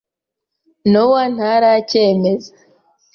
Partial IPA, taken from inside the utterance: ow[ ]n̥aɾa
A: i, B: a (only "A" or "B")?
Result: B